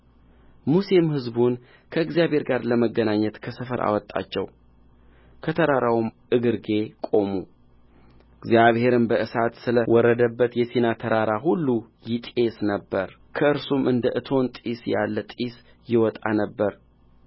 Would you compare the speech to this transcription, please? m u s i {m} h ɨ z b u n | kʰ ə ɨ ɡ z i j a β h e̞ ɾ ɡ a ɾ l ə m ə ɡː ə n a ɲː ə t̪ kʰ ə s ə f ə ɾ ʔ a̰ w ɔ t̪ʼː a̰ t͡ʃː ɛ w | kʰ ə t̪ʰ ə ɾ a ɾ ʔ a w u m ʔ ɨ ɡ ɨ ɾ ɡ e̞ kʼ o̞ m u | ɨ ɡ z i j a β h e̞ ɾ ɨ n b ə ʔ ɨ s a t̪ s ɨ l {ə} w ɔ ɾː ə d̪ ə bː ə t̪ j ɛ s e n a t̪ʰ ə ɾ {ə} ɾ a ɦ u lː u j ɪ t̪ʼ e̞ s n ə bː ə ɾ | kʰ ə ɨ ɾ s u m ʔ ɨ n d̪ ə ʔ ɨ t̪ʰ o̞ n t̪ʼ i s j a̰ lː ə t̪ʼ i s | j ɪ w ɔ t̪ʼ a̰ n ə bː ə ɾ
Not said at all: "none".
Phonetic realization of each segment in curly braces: m, ə, a

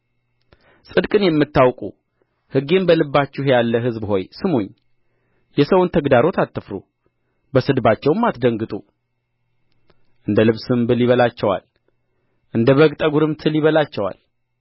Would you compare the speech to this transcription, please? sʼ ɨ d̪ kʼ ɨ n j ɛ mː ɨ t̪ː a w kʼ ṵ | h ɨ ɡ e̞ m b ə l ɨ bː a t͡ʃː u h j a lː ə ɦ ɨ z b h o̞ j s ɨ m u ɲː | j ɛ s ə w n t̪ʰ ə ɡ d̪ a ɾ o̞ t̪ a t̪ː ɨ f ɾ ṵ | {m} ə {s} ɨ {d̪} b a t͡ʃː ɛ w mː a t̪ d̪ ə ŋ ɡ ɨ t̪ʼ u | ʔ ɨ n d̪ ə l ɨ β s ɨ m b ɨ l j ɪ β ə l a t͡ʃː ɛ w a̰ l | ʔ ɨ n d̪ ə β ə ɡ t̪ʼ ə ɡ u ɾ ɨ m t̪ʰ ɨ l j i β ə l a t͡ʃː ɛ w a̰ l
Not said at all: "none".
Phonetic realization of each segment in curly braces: b, s, d̪

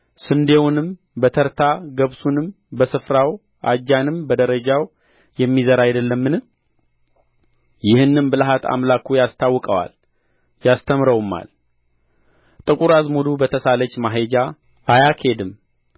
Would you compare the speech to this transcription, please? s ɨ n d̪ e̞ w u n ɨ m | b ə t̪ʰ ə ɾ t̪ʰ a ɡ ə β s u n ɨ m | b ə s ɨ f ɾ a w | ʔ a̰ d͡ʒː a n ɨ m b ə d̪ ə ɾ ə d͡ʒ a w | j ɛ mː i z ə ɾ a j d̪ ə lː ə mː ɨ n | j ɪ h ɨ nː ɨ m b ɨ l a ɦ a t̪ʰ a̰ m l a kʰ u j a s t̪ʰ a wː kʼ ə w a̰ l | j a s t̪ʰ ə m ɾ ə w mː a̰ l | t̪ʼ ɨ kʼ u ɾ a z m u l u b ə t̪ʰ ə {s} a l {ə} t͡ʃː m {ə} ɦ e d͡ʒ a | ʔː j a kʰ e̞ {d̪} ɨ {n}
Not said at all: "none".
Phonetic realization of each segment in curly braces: s, ə, a, d̪, m

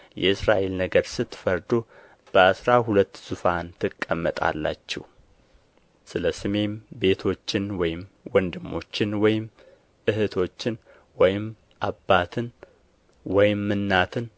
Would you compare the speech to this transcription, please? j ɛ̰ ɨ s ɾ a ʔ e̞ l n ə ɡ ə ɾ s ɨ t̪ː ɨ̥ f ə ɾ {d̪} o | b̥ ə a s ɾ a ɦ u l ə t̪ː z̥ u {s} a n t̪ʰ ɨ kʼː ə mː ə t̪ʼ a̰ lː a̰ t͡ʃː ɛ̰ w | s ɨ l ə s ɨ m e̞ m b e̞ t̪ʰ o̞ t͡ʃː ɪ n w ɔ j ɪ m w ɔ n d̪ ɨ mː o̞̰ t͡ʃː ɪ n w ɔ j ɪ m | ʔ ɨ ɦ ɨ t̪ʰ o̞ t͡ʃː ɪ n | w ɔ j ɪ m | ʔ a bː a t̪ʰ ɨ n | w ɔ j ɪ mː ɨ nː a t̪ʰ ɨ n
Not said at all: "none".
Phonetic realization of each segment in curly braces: d̪, f

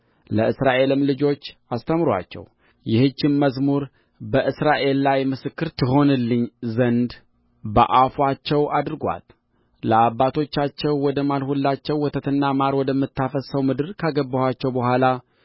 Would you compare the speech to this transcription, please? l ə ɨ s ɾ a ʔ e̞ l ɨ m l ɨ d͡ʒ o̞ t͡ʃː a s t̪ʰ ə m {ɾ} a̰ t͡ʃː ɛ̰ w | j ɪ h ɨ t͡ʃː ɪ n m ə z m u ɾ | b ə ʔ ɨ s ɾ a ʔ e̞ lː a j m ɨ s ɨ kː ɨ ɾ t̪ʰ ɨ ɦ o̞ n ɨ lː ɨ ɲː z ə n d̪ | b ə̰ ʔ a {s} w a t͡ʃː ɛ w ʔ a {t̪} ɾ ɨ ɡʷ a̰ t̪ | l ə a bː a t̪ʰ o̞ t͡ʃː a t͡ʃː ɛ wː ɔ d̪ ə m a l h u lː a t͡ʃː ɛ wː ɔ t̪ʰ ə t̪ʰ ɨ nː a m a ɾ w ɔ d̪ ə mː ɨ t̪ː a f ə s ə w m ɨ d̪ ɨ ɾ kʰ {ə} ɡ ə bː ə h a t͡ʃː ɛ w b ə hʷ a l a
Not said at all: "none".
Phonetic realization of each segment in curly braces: ɾ, f, d̪, a

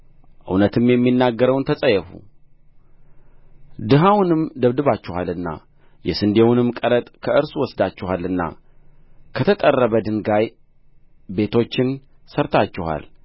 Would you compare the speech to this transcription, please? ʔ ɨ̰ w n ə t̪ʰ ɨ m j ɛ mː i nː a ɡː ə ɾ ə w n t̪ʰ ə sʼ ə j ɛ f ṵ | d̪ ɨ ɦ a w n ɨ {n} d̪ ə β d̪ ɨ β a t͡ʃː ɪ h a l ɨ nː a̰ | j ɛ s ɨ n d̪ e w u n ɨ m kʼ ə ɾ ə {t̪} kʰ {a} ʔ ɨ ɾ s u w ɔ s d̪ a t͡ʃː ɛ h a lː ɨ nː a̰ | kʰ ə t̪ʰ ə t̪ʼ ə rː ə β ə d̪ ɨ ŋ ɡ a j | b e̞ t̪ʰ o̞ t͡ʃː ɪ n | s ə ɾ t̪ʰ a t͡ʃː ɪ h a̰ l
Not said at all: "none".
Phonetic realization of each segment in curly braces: m, t̪ʼ, ə

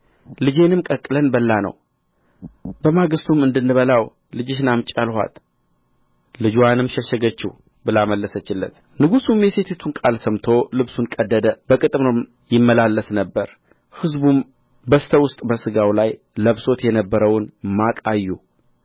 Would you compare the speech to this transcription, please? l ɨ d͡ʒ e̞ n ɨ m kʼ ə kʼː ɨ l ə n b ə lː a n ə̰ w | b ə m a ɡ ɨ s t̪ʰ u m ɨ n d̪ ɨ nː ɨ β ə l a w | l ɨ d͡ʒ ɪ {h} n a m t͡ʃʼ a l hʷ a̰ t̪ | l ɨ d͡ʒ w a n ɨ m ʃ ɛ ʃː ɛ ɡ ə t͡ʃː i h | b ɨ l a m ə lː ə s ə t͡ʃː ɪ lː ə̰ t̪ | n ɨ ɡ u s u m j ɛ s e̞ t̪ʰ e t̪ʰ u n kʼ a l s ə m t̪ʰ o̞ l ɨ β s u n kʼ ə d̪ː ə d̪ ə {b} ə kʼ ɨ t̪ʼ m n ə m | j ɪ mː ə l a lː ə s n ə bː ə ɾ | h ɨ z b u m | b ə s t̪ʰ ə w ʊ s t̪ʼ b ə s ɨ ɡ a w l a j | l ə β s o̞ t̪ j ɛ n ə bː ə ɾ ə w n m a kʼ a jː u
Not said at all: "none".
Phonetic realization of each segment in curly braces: ʃ, b

